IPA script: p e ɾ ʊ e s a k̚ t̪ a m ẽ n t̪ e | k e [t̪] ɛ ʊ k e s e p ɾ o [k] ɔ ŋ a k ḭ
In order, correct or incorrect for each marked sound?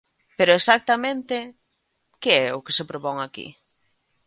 incorrect, incorrect

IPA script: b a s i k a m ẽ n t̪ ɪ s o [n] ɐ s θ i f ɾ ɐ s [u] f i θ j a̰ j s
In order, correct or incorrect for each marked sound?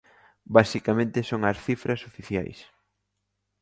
incorrect, incorrect

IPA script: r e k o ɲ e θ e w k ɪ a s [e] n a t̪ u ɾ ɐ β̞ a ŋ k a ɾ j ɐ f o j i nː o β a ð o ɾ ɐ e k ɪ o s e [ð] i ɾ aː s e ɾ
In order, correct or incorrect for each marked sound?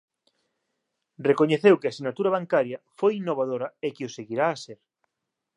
incorrect, incorrect

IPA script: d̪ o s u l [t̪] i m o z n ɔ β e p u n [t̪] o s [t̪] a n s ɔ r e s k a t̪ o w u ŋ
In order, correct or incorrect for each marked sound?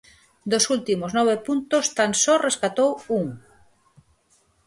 correct, correct, correct

